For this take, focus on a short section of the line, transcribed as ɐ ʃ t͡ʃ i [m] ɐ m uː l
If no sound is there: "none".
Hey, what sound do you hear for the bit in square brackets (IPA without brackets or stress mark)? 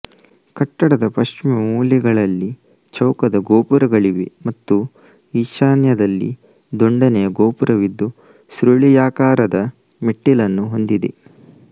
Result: m